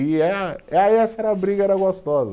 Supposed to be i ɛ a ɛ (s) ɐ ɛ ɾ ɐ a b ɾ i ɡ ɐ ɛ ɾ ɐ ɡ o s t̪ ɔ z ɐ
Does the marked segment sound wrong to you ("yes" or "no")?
no